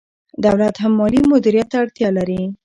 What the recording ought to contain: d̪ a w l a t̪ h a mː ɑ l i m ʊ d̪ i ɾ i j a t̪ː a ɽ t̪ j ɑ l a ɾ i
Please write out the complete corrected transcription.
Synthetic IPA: d̪ a w l a t̪ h a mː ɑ l i m ʊ d̪ i ɾ i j a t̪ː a ɽ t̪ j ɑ l a ɾ i